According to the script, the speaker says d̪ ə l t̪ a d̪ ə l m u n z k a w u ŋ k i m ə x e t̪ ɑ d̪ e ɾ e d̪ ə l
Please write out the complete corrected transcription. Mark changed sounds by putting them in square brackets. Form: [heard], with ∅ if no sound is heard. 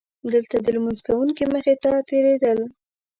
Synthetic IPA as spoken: d̪ ə l t̪ a d̪ ə l m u n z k a w u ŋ k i m ə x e t̪ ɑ [t̪] e ɾ e d̪ ə l